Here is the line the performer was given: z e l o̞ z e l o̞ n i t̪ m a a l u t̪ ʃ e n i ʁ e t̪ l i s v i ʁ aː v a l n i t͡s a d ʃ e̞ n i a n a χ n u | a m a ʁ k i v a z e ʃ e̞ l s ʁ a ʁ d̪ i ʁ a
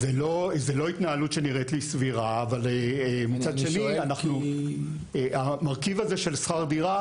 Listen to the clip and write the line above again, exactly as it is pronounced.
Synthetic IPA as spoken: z e l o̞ z e l o̞ i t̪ n a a l u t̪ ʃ e n i ʁ e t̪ l i s v i ʁ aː v a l m i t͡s a d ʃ e̞ n i a n a χ n u | a m a ʁ k i v a z e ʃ e̞ l s χ a ʁ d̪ i ʁ a